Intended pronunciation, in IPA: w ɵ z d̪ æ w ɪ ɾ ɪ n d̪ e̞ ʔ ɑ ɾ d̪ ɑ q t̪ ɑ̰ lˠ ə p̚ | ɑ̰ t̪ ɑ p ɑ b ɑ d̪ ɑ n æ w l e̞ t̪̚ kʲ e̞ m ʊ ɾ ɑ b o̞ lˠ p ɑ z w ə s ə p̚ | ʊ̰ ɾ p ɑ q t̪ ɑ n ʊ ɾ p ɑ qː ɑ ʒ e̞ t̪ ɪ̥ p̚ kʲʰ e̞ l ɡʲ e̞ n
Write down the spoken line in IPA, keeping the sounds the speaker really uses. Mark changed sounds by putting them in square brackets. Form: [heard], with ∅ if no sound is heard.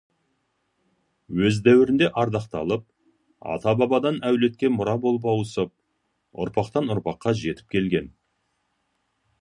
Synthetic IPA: w ɵ z d̪ æ w ɪ ɾ ɪ n d̪ e̞ ʔ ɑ ɾ d̪ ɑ q t̪ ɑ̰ lˠ ə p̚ | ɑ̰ t̪ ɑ [b] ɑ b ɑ d̪ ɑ n æ w l e̞ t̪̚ kʲ e̞ m ʊ ɾ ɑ b o̞ lˠ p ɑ [∅] w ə s ə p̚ | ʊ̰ ɾ p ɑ q t̪ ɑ n ʊ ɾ p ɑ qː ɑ ʒ e̞ t̪ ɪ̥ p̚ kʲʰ e̞ l ɡʲ e̞ n